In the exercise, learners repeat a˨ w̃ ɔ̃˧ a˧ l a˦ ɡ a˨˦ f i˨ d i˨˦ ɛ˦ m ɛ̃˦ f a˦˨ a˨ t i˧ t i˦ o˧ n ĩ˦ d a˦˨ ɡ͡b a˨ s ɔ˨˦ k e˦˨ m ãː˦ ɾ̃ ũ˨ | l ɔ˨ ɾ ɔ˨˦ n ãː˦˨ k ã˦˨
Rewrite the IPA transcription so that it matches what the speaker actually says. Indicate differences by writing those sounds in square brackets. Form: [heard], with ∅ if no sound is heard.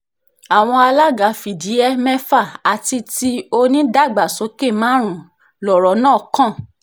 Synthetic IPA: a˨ w̃ ɔ̃˧ a˧ l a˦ ɡ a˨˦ f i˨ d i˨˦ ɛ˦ m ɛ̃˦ f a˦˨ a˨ t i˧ t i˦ o˧ n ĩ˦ d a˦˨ ɡ͡b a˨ s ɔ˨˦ k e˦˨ m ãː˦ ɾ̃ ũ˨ | l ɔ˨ ɾ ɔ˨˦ n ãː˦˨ k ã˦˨